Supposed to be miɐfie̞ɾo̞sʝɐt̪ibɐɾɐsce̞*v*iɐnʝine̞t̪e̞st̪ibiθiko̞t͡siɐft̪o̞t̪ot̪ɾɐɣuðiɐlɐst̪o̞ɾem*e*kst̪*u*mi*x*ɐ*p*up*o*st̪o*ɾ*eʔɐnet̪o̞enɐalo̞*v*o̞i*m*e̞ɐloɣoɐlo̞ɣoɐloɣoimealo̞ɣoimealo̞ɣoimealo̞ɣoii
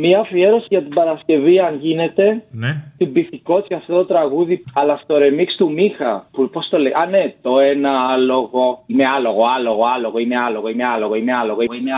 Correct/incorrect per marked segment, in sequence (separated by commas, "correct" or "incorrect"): correct, incorrect, correct, correct, correct, correct, incorrect, incorrect, correct